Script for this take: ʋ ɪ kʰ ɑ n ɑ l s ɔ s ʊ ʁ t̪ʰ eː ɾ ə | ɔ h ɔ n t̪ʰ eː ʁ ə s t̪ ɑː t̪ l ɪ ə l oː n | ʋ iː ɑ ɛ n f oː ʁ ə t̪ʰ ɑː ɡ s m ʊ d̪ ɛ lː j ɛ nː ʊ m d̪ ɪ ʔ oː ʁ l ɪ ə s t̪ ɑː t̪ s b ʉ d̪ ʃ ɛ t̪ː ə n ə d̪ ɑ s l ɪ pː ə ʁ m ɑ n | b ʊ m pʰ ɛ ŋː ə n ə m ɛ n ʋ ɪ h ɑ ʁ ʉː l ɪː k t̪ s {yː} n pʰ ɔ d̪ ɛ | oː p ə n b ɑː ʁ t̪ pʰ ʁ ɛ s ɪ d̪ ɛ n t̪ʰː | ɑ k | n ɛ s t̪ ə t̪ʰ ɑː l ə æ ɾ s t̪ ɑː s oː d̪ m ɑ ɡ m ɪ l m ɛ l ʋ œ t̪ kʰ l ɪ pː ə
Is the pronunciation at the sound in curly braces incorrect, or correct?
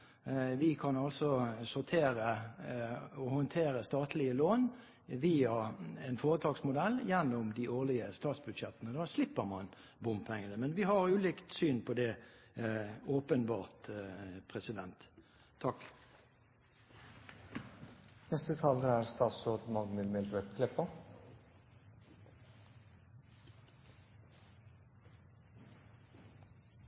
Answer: correct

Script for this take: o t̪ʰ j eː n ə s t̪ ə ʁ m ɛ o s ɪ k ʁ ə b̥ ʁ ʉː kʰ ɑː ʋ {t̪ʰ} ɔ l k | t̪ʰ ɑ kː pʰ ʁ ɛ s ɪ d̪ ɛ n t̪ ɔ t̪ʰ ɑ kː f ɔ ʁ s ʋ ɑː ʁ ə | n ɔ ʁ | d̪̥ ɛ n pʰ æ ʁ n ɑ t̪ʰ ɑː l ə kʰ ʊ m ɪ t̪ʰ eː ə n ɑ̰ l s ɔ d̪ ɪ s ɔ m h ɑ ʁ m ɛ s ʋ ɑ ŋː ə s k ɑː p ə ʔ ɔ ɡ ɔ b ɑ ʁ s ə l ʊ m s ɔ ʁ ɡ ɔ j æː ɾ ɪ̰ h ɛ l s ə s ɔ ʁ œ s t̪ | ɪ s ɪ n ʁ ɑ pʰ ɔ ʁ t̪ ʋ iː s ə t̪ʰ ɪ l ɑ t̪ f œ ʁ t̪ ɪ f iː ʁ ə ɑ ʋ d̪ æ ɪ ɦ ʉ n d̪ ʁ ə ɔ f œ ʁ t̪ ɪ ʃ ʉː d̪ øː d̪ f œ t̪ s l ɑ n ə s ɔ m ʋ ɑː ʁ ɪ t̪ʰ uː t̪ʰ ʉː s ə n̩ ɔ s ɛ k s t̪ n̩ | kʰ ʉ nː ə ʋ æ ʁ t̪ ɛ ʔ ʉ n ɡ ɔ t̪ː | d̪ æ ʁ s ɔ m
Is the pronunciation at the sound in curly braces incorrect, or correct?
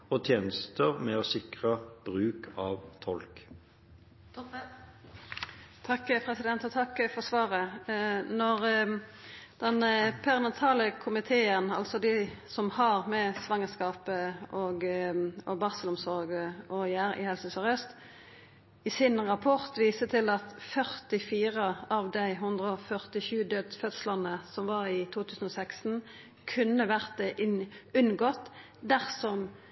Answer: correct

